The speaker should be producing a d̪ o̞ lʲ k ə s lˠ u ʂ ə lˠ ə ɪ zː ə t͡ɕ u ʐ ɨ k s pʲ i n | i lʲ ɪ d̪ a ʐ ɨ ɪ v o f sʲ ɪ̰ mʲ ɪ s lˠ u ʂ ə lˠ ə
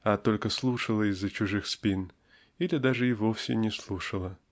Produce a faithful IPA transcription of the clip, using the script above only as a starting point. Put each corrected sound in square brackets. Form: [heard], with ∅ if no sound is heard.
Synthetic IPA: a [t̪] o̞ lʲ k ə s lˠ u ʂ ə lˠ ə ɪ zː ə t͡ɕ [ʊ] ʐ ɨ [x] s pʲ i n | i lʲ ɪ d̪ a ʐ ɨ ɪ v o f sʲ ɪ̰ [nʲ] ɪ s lˠ u ʂ ə lˠ ə